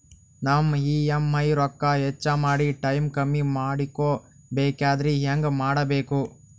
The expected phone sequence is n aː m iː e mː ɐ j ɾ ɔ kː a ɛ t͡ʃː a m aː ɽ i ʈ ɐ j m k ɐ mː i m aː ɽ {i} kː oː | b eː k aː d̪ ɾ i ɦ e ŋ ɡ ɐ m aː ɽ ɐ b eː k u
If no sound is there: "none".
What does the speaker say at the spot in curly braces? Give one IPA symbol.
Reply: i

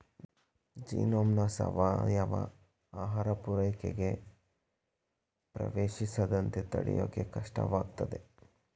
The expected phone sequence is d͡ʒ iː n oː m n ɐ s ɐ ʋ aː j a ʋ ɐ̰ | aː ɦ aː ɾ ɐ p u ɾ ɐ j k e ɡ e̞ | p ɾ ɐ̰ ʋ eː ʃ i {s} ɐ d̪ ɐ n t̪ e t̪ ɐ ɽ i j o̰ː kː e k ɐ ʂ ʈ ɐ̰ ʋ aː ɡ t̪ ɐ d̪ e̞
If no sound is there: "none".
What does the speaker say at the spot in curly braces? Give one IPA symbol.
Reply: s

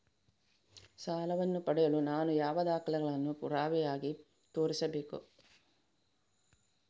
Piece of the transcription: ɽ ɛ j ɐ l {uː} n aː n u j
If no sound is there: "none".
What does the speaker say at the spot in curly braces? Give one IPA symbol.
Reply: u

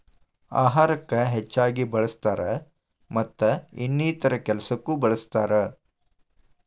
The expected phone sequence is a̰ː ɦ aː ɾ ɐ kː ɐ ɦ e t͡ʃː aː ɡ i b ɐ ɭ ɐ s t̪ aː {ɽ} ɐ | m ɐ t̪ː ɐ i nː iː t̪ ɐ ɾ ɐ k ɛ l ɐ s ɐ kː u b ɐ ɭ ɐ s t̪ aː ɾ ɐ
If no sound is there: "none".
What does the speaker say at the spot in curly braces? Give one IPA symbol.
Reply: ɾ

